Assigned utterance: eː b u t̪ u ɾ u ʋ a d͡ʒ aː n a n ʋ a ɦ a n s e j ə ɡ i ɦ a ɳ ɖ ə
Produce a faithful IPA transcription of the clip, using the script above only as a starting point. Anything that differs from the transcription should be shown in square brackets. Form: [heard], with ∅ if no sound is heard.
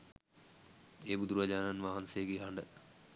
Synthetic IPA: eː b u [d̪] u ɾ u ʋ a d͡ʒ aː n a n ʋ a ɦ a n s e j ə ɡ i ɦ a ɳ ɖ ə

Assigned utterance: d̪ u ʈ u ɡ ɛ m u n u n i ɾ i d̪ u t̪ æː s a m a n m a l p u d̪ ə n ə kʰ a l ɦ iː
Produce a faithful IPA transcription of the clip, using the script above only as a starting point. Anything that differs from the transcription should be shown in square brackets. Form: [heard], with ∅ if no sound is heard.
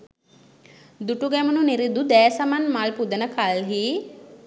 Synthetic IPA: d̪ u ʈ u ɡ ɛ m u n u n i ɾ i d̪ u [d̪] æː s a m a n m a l p u d̪ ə n ə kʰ a l ɦ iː

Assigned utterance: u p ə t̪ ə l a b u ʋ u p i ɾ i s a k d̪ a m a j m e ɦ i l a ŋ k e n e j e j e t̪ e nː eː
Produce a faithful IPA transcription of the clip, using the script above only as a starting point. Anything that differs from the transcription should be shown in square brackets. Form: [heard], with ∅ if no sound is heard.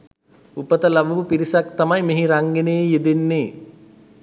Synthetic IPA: u p ə t̪ ə l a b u ʋ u p i ɾ i s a k [t̪] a m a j m e ɦ i [ɾ] a ŋ [ɡ] e n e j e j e [d̪] e nː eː

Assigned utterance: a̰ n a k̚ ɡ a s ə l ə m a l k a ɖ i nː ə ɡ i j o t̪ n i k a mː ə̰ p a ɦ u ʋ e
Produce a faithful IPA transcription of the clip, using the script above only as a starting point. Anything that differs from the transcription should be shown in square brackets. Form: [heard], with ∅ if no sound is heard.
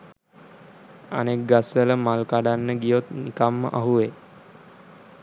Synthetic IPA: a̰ n [e] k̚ ɡ a s ə l ə m a l k a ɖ [a] nː ə ɡ i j o t̪ n i k a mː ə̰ [ʔ] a ɦ u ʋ e

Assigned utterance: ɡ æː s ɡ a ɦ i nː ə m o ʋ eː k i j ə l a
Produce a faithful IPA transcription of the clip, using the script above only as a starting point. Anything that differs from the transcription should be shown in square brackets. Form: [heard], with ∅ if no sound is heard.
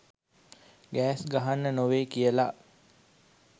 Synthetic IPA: ɡ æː s ɡ a ɦ [a] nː ə [n] o ʋ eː k i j ə l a

